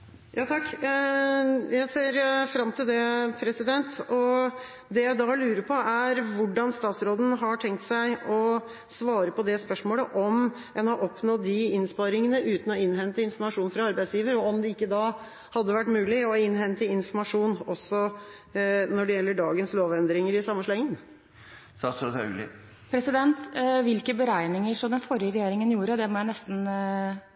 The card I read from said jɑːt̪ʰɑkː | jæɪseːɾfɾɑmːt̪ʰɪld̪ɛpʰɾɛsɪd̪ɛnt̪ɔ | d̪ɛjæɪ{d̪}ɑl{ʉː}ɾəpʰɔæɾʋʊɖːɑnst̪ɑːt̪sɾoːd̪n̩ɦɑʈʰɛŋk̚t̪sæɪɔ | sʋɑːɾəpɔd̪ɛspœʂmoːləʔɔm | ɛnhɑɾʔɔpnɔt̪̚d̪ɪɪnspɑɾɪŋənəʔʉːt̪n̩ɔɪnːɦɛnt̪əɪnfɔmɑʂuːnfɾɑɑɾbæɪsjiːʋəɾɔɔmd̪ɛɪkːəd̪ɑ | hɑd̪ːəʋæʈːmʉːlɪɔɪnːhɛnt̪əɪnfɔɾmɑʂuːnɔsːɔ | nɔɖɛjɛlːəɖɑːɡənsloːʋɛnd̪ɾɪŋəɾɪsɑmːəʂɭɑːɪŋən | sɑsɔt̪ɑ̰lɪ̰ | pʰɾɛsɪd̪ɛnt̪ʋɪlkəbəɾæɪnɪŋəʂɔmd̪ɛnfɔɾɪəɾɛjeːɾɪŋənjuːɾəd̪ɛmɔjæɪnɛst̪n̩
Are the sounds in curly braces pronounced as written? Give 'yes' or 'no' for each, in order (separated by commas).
yes, yes